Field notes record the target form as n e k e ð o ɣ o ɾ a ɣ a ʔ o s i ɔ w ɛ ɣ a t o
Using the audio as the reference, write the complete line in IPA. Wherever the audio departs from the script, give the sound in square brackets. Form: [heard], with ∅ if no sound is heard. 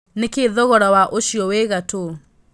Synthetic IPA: n e k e ð [ɔ] ɣ [ɔ] ɾ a [w] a ʔ o [ʃ] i ɔ w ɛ ɣ a t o